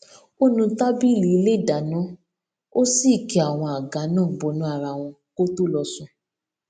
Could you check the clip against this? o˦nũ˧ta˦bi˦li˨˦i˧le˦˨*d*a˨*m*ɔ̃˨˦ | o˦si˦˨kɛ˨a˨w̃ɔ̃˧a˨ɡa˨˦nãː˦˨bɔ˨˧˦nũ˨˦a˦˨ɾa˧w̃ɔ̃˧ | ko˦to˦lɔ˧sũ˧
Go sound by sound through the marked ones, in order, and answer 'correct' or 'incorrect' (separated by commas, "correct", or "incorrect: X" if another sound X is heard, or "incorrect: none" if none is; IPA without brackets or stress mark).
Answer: correct, incorrect: n